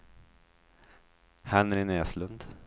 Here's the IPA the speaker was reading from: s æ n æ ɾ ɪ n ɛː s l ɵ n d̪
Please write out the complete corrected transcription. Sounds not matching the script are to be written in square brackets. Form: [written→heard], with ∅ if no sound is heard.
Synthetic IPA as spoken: [s→h] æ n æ ɾ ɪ n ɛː s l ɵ n d̪